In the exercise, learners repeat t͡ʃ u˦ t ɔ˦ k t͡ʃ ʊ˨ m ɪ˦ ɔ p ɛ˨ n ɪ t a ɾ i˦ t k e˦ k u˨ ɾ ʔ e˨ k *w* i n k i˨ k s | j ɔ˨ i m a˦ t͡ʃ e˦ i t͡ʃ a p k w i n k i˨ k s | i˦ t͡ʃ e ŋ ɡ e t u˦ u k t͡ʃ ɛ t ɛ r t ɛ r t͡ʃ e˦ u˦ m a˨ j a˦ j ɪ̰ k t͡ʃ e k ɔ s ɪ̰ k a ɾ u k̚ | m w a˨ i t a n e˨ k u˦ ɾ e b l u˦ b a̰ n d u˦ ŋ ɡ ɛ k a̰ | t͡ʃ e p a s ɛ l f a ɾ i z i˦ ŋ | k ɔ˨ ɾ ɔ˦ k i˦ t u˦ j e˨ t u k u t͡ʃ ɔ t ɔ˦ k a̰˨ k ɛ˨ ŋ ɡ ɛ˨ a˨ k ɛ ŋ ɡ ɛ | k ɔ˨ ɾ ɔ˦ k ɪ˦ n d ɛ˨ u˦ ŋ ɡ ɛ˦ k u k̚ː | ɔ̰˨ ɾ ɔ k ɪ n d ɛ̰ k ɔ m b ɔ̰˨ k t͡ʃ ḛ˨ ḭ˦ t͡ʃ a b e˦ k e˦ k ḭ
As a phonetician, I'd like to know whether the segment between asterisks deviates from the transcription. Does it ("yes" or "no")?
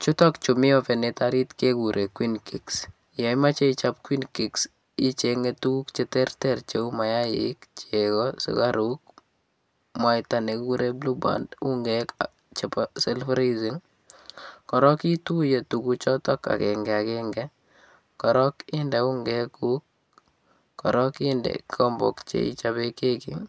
no